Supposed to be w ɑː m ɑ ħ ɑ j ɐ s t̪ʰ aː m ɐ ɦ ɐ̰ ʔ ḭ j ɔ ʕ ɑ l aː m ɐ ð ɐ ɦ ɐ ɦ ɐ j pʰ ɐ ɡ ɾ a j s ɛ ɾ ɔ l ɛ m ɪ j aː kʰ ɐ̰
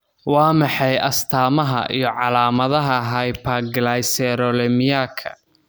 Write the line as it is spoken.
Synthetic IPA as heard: w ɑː m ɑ ħ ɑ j ɐ s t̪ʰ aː m ɐ ɦ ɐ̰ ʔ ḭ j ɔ ʕ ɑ l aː m ɐ ð ɐ ɦ ɐ ɦ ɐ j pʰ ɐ ɡ l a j s ɛ ɾ ɔ l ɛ m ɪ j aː kʰ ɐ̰